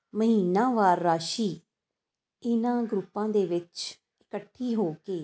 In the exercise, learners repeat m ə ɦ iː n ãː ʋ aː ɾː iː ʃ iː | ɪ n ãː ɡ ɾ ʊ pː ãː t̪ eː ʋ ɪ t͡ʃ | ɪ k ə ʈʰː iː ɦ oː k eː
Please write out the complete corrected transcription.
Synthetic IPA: m ə ɦ iː n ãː ʋ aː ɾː aː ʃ iː | ɪ n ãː ɡ ɾ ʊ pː ãː d̪ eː ʋ ɪ t͡ʃ | ɪ k ə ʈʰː iː ɦ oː k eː